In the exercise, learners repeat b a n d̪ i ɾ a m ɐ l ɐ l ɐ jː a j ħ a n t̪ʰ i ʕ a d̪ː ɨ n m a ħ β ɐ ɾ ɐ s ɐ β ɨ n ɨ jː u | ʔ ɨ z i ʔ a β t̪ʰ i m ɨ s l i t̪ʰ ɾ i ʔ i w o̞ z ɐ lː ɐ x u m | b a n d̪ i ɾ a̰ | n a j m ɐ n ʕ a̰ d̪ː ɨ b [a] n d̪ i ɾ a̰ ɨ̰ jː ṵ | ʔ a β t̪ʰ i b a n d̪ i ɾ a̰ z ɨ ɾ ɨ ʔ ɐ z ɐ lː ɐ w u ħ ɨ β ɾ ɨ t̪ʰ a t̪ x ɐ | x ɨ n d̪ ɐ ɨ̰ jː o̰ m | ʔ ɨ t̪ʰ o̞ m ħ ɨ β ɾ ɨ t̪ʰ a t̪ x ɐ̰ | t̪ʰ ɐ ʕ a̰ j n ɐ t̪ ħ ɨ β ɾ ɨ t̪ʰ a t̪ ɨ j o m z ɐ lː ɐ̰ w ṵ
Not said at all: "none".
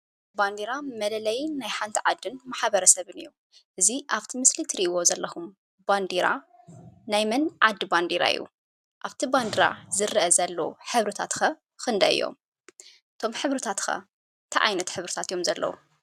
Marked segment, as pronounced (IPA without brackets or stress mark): a